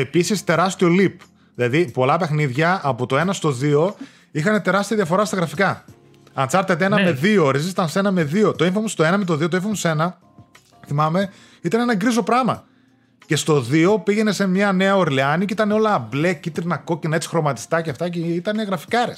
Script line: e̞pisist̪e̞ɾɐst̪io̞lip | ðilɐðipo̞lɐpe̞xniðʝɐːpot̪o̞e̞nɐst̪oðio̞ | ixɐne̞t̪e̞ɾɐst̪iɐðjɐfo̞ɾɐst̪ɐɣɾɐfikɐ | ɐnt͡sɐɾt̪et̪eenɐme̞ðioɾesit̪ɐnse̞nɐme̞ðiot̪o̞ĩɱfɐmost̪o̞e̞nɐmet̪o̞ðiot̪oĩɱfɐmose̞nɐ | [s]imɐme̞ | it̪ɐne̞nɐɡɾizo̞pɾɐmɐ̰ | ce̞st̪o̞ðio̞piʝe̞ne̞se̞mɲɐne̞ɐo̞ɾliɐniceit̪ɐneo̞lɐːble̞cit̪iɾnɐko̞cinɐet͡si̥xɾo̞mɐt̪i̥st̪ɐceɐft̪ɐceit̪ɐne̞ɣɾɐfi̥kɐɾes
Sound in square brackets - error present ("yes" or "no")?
yes